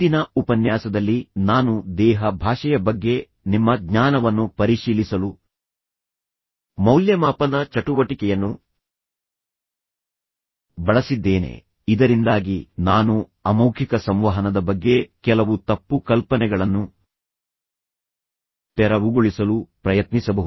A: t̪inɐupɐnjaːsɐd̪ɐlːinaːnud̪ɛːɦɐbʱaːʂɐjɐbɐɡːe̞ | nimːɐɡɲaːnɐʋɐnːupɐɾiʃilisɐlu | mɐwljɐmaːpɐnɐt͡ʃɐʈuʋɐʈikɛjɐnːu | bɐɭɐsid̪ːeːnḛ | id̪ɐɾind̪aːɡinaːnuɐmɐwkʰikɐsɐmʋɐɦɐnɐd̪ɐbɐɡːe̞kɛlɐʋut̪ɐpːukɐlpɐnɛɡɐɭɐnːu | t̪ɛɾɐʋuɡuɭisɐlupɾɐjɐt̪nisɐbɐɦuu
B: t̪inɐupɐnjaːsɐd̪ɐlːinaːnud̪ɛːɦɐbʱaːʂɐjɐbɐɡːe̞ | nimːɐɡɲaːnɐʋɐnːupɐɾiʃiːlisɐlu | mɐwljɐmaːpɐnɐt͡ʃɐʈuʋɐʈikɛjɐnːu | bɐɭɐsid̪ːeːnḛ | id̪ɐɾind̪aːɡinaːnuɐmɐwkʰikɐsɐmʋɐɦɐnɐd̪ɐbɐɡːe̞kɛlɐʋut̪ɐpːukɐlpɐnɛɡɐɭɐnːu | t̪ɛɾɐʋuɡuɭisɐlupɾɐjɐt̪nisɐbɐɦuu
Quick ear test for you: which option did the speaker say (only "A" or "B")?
B